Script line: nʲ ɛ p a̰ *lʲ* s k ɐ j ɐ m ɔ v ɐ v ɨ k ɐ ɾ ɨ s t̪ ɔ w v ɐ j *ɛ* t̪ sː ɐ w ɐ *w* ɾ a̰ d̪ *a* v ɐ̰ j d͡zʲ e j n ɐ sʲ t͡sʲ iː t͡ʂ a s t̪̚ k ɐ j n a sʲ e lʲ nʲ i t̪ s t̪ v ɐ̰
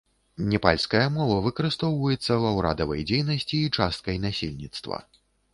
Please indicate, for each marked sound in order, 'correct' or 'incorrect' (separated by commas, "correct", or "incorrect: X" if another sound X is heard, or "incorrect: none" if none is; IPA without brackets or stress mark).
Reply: correct, correct, correct, incorrect: ɐ